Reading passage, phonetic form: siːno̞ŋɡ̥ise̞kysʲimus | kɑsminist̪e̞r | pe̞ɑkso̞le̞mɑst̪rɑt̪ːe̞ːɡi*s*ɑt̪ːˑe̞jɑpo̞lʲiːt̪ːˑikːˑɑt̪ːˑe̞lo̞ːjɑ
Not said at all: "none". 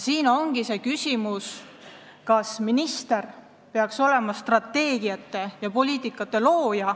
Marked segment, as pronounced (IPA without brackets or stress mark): none